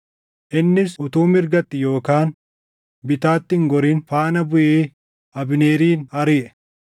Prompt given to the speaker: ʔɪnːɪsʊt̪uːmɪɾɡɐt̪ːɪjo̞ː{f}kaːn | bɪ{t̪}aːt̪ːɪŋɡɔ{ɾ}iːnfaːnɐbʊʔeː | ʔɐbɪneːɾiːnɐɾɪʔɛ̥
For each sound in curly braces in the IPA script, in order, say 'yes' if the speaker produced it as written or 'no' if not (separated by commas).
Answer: no, yes, yes